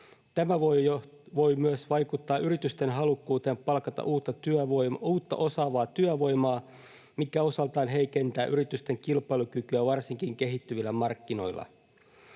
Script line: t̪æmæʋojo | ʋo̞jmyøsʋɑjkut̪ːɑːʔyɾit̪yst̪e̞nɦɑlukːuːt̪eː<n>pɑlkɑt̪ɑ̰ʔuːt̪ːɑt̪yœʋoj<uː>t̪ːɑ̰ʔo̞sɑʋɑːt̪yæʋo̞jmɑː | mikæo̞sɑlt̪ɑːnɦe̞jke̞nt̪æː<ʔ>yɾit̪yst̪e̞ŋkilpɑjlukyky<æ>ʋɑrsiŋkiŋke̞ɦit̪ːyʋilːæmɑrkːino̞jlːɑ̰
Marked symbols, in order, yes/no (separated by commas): no, yes, yes, yes